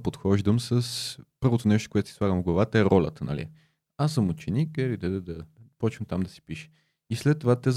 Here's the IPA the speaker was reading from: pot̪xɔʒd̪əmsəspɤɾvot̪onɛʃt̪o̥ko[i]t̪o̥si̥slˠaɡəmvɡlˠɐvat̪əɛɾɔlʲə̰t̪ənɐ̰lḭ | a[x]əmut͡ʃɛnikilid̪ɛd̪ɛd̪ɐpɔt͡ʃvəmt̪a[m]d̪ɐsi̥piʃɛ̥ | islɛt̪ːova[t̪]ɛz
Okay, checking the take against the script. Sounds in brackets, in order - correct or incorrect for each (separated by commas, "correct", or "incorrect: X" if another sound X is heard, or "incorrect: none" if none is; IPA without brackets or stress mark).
incorrect: ɛ, incorrect: s, correct, correct